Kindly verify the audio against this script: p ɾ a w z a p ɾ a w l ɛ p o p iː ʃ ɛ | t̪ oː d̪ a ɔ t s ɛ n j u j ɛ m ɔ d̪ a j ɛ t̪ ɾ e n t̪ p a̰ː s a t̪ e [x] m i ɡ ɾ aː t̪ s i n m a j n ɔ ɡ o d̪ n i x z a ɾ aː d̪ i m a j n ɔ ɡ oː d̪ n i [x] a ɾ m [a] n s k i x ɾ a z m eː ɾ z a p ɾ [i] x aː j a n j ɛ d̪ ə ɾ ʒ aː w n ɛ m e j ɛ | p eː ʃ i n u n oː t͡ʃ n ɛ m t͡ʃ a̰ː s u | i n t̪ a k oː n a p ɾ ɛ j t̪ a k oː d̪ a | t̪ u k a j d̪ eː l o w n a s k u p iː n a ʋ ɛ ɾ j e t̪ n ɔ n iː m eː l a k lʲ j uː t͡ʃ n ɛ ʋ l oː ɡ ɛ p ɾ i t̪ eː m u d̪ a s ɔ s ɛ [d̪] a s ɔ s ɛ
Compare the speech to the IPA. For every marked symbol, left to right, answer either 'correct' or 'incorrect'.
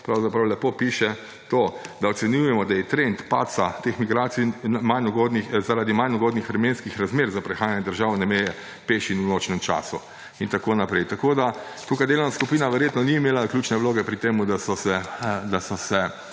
correct, correct, incorrect, incorrect, correct

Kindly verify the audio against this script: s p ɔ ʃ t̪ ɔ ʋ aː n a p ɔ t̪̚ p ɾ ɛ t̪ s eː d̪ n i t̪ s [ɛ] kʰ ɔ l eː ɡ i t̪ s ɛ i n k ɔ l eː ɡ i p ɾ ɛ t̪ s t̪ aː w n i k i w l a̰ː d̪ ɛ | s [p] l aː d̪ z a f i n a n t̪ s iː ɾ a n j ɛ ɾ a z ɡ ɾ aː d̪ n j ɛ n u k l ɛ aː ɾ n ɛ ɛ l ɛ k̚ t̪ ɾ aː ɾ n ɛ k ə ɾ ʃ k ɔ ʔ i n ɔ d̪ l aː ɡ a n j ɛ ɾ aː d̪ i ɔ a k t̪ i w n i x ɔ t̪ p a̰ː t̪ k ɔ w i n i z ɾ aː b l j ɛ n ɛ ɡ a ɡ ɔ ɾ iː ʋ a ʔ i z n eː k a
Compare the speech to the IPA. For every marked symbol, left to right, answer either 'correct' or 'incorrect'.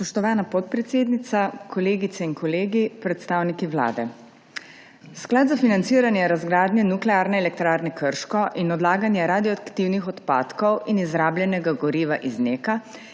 incorrect, incorrect

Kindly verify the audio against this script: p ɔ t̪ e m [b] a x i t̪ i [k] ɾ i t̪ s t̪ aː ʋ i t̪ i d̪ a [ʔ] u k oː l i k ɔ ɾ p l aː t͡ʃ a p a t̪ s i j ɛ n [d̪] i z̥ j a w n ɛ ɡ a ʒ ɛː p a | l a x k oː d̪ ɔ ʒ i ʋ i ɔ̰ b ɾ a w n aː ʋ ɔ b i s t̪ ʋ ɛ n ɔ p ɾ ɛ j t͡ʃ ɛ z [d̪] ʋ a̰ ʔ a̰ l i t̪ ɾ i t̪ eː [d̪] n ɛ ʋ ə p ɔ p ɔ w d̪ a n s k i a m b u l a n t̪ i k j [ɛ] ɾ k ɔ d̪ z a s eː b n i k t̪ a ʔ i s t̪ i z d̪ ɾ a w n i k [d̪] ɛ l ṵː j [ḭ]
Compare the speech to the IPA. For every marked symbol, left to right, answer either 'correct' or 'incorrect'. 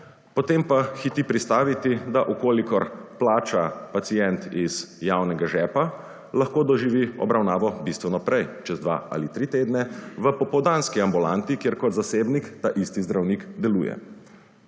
incorrect, incorrect, correct, incorrect, correct, correct, incorrect, correct, incorrect

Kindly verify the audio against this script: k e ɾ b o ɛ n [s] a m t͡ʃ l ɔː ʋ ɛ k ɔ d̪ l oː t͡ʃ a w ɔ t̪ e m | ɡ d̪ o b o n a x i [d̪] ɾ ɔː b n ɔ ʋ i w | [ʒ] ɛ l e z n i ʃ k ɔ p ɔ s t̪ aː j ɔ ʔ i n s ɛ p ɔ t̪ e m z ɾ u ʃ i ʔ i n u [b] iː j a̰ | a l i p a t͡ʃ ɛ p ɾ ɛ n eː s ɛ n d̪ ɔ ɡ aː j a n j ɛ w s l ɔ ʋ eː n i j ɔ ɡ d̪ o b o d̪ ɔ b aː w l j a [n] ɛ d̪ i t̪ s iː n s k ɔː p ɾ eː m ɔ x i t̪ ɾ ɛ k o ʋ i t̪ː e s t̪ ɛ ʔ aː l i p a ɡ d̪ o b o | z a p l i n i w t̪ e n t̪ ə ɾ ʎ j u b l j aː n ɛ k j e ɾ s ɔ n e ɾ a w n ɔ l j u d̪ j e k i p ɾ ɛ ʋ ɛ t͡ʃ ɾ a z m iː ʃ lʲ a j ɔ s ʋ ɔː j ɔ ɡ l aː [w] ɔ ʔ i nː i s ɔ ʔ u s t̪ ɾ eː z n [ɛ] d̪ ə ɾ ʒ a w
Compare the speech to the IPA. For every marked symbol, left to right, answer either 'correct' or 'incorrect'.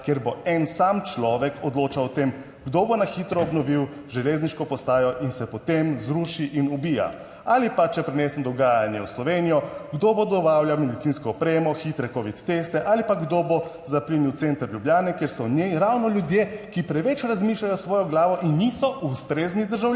correct, incorrect, correct, correct, incorrect, incorrect, incorrect

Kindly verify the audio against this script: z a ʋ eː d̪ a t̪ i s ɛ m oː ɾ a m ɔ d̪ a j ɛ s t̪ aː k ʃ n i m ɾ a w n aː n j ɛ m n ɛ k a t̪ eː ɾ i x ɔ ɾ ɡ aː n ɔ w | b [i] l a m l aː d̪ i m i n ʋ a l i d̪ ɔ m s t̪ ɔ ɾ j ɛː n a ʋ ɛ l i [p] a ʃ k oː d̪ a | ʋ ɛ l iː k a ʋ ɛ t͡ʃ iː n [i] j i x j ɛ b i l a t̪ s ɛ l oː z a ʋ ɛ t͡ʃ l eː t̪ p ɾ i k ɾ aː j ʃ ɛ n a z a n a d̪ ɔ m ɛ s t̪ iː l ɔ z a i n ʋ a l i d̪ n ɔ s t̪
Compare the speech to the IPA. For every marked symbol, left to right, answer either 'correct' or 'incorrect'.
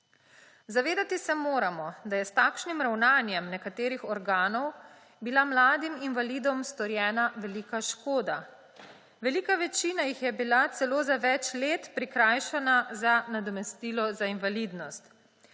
correct, incorrect, incorrect

